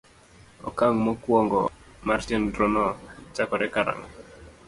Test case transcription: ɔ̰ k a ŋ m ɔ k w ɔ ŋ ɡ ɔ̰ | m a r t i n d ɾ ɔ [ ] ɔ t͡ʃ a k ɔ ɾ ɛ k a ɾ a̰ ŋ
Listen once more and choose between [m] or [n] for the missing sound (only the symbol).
n